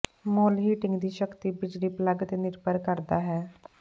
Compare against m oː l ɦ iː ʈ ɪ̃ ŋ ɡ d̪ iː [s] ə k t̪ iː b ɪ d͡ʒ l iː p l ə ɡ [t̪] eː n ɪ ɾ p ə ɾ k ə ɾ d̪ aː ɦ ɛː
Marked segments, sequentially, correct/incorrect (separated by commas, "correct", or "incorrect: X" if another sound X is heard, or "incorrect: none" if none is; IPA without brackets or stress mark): incorrect: ʃ, correct